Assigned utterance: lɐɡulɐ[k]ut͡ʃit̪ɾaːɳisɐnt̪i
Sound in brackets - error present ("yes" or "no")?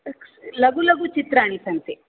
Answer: yes